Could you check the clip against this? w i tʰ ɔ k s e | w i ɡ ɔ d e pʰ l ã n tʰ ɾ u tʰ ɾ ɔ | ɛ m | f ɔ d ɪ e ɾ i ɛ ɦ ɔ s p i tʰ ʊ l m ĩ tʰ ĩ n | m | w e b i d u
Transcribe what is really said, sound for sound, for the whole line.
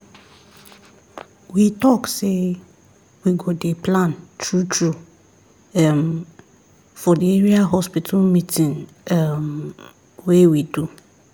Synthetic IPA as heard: w i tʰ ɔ k s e | w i ɡ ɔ d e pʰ l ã n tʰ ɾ u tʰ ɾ u | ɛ m | f ɔ d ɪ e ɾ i a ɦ ɔ s p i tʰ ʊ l m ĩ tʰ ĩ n | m | w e w i d u